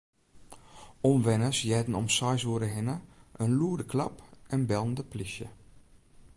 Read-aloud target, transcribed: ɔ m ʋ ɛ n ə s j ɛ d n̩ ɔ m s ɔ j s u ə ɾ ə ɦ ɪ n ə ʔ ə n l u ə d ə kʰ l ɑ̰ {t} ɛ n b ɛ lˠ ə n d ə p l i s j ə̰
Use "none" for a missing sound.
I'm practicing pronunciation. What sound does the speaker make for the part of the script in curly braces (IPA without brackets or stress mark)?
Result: p